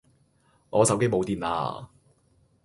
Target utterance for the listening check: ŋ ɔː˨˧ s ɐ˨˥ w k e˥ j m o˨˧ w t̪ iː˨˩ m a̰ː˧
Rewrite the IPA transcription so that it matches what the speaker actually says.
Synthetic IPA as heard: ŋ ɔː˨˧ s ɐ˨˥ w k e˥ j m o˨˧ w t̪ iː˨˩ n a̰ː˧